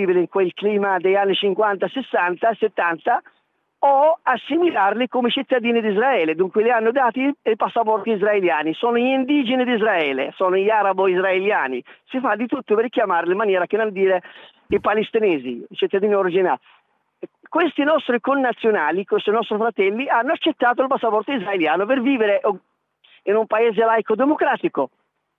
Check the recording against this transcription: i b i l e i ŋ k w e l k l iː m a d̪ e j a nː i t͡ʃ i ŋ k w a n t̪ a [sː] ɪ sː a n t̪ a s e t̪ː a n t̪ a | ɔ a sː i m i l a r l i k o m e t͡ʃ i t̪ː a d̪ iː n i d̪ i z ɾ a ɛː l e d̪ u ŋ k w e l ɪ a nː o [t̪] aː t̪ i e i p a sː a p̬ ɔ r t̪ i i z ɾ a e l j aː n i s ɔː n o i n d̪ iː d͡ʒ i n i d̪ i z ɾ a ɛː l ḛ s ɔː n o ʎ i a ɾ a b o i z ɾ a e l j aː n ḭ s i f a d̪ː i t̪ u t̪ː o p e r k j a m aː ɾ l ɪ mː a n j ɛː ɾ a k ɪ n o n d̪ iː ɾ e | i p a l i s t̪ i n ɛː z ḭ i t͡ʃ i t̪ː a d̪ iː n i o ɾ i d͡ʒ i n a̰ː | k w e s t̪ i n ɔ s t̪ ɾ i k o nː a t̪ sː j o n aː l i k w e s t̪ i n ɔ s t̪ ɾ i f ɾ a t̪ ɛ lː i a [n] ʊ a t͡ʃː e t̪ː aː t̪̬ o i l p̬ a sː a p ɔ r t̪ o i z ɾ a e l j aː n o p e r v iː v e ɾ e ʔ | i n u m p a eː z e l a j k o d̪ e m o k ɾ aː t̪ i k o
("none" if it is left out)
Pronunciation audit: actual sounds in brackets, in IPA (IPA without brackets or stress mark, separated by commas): s, d̪, nː